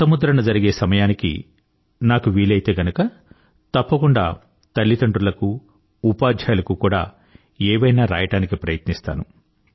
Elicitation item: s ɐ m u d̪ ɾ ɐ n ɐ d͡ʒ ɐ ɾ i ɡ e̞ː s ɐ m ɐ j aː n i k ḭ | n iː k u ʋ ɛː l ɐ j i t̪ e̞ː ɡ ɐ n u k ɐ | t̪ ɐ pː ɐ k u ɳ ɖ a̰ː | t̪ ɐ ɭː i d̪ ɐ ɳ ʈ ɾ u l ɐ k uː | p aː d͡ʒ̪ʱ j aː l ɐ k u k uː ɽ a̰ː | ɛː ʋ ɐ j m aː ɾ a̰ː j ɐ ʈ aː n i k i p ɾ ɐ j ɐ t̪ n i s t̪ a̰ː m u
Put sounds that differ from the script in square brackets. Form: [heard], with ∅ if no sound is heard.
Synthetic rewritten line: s ɐ m u d̪ ɾ ɐ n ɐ d͡ʒ ɐ ɾ i ɡ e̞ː s ɐ m ɐ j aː n i k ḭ | n [aː] k u ʋ [iː] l ɐ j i t̪ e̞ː ɡ ɐ n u k ɐ | t̪ ɐ pː ɐ k u ɳ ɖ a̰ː | t̪ ɐ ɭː i [t̪] ɐ ɳ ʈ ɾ u l ɐ k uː | p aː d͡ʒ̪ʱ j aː l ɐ k u k uː ɽ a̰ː | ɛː ʋ ɐ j [n] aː ɾ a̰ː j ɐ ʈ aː n i k i p ɾ ɐ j ɐ t̪ n i s t̪ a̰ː [n] u